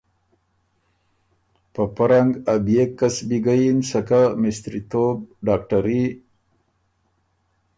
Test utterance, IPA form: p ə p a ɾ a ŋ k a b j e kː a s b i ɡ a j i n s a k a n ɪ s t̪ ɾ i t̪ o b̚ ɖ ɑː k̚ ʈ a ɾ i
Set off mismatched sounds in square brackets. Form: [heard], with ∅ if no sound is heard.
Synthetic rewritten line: p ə p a ɾ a ŋ [ɡ] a b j e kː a s b i ɡ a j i n s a k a [m] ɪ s t̪ ɾ i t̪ o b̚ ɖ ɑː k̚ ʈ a ɾ i